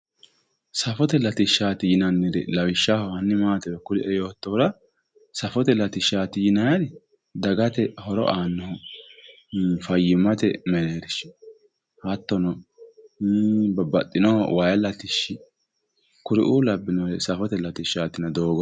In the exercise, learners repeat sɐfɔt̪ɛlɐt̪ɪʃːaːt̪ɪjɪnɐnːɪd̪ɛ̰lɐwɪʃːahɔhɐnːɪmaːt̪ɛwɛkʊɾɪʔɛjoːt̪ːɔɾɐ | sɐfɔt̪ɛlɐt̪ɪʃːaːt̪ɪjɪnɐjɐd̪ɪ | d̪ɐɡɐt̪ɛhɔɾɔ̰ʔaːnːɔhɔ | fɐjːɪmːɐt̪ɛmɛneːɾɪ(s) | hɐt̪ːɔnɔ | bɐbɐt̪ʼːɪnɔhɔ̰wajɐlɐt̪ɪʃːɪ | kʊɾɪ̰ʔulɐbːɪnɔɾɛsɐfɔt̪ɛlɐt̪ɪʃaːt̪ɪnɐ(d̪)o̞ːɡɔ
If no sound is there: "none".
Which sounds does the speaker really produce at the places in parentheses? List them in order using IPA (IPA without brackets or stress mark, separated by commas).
ʃ, d̪